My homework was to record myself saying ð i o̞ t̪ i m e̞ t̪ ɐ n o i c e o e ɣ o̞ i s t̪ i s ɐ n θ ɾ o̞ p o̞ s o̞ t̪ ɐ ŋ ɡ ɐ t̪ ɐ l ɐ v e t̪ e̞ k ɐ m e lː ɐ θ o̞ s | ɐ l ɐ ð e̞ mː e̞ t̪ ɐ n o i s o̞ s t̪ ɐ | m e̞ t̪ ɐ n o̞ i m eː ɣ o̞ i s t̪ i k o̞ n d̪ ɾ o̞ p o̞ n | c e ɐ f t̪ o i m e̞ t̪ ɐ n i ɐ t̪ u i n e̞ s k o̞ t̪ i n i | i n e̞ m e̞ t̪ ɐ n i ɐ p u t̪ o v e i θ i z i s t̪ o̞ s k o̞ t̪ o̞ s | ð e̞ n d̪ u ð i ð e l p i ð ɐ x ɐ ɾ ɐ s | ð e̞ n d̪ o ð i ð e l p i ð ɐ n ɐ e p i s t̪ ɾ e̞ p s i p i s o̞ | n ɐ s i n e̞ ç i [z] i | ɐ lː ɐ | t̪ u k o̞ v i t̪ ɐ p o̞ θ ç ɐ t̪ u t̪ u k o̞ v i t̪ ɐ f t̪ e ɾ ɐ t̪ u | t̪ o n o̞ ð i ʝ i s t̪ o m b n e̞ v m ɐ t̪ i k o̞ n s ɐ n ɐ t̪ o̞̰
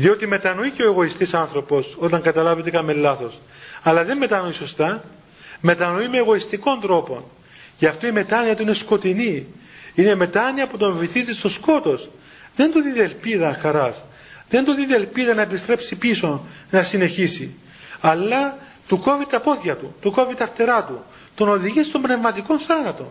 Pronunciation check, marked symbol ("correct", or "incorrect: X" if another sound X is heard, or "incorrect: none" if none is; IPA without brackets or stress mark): incorrect: s